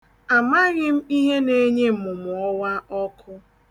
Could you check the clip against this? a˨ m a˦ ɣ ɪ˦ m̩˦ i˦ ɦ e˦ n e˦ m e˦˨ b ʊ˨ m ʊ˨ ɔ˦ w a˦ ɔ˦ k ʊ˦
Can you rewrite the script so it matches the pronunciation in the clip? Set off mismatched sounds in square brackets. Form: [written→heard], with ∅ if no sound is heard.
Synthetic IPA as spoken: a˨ m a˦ ɣ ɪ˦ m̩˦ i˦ ɦ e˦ n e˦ [m→ɲ] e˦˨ [b→m] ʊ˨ m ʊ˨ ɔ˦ w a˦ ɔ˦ k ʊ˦

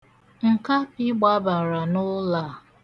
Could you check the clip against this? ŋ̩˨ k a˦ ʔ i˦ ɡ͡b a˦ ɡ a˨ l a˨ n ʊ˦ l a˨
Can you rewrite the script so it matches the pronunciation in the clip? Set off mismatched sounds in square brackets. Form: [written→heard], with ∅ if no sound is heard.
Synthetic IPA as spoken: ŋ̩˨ k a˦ [ʔ→p] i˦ ɡ͡b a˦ [ɡ→b] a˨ [l→ɾ] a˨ n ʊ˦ l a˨

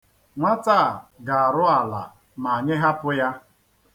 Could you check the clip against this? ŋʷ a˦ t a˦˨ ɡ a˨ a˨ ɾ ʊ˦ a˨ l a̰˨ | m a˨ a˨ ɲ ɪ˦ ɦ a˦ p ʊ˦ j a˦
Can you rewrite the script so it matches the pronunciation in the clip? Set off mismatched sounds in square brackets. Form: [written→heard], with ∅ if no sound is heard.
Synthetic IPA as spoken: ŋʷ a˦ t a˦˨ ɡ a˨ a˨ ɾ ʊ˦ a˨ l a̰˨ | m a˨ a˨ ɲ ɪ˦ ɦ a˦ p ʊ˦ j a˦

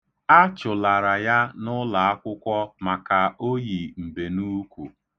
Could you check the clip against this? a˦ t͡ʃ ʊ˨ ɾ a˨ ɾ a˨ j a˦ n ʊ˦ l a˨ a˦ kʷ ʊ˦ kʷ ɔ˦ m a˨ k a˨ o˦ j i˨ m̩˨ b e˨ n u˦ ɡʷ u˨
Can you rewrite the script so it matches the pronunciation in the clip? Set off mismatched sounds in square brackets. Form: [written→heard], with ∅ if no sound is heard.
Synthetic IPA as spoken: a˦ t͡ʃ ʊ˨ [ɾ→l] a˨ ɾ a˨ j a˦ n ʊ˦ l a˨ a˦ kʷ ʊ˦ kʷ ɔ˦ m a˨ k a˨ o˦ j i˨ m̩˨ b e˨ n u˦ [ɡʷ→kʷ] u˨

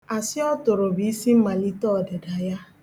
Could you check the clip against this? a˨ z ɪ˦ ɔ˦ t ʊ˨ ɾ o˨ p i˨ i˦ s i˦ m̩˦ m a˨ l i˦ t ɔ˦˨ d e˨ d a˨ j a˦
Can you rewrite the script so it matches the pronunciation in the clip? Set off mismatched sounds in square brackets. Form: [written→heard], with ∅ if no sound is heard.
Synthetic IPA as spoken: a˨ [z→s] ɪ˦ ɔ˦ t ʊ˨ ɾ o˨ [p→b] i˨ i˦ s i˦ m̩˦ m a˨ l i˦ t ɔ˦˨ d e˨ d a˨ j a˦

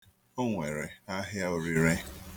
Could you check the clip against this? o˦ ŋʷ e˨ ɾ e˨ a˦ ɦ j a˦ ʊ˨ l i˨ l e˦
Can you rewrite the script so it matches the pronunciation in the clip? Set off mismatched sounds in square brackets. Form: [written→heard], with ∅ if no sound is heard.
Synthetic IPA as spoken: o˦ ŋʷ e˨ ɾ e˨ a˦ ɦ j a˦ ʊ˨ [l→ɾ] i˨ [l→ɾ] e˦

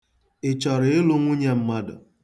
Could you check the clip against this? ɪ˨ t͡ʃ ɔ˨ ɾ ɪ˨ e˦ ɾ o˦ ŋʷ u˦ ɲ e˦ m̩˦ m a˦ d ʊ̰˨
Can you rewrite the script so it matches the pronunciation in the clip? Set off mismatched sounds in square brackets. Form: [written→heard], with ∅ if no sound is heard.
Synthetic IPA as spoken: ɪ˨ t͡ʃ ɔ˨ ɾ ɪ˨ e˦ [ɾ→l] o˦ ŋʷ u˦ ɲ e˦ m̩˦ m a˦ d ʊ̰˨

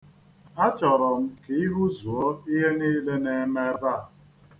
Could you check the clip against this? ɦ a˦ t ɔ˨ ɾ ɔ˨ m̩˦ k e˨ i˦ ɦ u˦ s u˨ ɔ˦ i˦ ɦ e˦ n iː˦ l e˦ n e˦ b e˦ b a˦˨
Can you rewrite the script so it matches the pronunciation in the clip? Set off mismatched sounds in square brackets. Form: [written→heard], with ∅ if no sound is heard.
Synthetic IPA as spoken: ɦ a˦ [t→t͡ʃ] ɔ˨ ɾ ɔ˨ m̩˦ k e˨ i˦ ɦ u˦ [s→z] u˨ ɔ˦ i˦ ɦ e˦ n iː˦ l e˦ n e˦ [b→m] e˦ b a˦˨

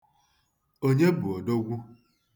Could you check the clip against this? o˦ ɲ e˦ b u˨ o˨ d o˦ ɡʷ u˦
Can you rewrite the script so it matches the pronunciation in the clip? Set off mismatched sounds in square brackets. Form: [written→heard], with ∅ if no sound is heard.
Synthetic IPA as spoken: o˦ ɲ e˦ b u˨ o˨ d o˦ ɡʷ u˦

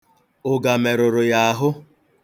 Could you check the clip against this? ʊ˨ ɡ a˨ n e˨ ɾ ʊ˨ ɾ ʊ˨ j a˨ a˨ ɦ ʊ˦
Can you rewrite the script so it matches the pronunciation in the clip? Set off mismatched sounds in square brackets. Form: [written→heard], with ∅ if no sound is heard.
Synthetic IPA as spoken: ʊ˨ ɡ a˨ [n→m] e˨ ɾ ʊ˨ ɾ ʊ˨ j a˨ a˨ ɦ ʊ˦

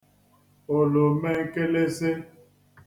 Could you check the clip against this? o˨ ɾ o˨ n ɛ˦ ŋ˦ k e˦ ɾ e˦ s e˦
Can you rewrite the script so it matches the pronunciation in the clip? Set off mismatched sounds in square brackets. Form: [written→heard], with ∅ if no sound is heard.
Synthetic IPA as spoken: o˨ [ɾ→l] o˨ [n→m] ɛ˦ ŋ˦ k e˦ [ɾ→l] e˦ s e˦

